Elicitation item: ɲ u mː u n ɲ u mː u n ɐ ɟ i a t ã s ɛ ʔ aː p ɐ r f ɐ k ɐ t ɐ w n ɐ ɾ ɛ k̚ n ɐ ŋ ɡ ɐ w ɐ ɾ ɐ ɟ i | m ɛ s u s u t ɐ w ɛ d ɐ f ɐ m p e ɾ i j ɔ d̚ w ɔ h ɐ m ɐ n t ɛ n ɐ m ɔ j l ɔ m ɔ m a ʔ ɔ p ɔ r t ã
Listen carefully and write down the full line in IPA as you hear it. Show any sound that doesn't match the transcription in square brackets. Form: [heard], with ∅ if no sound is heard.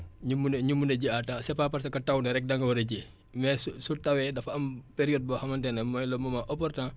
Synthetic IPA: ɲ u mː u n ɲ u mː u n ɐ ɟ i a t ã s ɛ [p] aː p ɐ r [s] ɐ k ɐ t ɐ w n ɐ ɾ ɛ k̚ [d] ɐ ŋ ɡ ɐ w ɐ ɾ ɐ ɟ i | m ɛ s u s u t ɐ w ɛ d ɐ f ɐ m p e ɾ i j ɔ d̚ [b] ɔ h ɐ m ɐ n t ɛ n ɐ m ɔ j l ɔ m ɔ m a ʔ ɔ p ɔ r t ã